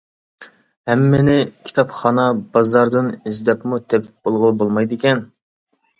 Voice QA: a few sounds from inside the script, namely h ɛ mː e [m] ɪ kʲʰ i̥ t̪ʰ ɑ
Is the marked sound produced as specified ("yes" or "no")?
no